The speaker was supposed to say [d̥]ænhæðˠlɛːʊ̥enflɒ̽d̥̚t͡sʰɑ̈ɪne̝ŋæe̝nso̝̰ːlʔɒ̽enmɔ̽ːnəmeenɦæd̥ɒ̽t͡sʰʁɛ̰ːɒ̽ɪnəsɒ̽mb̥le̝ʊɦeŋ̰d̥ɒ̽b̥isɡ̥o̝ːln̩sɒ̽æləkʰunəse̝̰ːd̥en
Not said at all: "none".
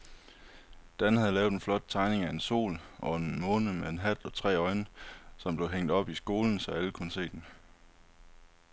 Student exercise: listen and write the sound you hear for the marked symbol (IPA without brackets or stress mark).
d̥